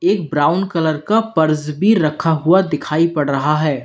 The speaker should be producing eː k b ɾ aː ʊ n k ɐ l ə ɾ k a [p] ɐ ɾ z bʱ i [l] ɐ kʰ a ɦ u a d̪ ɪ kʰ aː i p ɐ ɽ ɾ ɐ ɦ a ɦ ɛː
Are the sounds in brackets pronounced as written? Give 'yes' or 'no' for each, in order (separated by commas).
yes, no